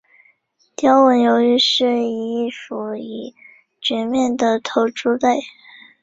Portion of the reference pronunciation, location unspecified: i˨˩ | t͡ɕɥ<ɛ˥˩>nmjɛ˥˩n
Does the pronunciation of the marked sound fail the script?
yes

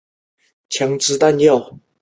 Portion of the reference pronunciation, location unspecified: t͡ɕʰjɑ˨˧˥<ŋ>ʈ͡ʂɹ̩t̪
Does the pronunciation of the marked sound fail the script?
no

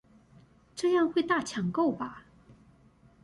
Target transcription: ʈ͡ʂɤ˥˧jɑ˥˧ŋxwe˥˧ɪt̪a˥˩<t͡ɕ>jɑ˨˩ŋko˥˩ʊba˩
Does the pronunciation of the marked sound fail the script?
yes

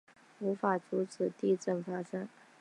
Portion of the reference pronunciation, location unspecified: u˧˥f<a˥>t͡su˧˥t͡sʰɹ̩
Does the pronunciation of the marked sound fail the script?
yes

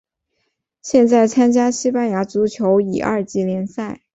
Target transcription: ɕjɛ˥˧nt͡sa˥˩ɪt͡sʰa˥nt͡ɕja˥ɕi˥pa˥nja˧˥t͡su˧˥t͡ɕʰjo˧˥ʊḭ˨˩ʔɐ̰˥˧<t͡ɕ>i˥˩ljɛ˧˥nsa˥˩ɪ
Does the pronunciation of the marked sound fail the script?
no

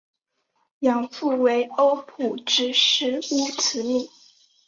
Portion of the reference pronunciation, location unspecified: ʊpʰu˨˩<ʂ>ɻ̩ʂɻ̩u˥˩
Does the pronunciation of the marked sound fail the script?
yes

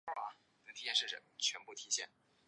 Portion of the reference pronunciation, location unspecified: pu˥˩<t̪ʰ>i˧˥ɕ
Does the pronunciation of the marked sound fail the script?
no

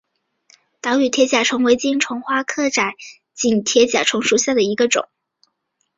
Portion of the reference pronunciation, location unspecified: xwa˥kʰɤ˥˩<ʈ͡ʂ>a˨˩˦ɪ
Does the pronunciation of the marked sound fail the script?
no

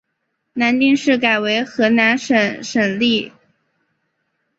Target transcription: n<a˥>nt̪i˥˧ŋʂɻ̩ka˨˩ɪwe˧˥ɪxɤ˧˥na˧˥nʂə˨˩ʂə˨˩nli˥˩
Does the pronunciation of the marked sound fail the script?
yes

